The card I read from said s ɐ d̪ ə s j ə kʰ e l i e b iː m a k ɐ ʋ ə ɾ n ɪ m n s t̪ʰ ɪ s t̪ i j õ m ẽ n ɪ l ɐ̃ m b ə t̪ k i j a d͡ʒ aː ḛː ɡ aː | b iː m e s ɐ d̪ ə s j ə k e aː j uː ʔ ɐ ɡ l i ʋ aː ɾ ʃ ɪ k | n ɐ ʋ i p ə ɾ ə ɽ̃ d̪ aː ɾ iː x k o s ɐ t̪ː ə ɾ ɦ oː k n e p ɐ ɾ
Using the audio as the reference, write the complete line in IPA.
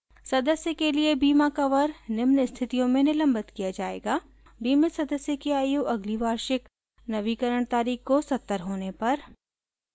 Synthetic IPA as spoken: s ɐ d̪ ə s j ə k e l i e b iː m a k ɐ ʋ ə ɾ n ɪ m n s t̪ʰ ɪ t̪ i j õ m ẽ n ɪ l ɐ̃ m b ə t̪ k i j a d͡ʒ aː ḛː ɡ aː | b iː m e s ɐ d̪ ə s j ə k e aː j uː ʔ ɐ ɡ l i ʋ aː ɾ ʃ ɪ k | n ɐ ʋ i k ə ɾ ə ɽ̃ t̪ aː ɾ iː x k o s ɐ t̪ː ə ɾ ɦ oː n e p ɐ ɾ